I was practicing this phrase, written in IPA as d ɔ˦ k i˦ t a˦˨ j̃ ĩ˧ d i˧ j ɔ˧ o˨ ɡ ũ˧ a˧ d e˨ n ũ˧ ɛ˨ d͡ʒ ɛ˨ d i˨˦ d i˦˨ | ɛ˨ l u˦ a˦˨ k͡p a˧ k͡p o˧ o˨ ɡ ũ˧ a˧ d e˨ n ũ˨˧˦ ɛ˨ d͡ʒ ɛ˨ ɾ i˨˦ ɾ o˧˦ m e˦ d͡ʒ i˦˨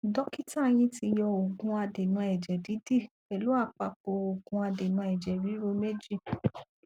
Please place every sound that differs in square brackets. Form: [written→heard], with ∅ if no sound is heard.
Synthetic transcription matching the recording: d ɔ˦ k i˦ t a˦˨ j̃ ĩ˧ [d→t] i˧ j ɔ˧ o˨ ɡ ũ˧ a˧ d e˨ n ũ˧ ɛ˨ d͡ʒ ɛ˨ d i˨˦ d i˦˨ | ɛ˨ l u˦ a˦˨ k͡p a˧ k͡p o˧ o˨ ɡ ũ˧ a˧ d e˨ n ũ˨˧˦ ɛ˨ d͡ʒ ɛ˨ ɾ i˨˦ ɾ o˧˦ m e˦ d͡ʒ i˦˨